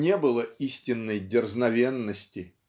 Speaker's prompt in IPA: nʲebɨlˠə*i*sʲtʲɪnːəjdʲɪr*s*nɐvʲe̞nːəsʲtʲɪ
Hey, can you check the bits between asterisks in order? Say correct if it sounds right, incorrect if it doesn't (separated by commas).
correct, incorrect